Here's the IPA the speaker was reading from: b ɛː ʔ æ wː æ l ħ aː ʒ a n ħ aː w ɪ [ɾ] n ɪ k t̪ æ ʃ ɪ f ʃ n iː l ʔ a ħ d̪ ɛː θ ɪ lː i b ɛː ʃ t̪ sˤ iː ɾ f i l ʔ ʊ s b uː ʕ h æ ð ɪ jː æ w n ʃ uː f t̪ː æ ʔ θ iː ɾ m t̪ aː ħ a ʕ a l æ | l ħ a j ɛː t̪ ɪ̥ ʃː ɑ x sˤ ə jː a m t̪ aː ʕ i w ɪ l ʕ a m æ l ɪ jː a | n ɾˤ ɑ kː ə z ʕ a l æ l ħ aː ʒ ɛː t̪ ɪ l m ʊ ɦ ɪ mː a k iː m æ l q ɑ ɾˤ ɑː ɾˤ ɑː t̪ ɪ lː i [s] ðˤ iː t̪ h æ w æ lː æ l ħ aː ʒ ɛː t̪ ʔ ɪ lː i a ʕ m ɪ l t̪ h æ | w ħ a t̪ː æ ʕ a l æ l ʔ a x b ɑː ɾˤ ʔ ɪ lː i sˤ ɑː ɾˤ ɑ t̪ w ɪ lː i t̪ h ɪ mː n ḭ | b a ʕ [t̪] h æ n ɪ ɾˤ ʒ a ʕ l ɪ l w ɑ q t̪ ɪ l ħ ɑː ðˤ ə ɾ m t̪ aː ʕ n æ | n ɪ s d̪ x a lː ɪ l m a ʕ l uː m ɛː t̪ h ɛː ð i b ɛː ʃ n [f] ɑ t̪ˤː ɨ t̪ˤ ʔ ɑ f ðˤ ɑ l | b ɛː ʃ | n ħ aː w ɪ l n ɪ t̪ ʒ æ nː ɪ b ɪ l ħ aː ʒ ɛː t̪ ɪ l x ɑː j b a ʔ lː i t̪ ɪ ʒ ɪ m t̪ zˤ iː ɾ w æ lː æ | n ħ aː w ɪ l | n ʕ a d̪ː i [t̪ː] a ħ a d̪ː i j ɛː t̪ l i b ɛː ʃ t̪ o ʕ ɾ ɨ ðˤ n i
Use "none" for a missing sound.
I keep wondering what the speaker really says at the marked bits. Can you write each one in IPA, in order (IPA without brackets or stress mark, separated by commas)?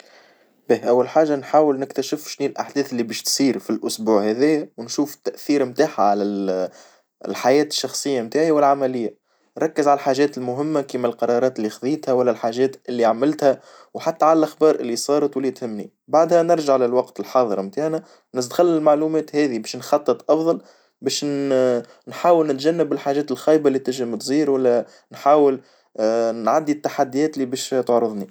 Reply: l, x, d̪, x, t̪ː